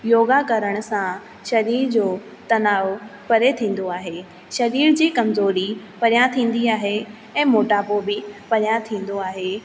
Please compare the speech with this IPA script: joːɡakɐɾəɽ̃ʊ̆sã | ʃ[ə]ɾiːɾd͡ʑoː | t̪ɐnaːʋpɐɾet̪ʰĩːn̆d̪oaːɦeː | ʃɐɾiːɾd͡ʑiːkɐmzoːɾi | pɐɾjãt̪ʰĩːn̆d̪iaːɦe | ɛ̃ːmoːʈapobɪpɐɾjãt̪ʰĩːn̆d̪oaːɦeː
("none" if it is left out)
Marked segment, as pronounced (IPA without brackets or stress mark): ɐ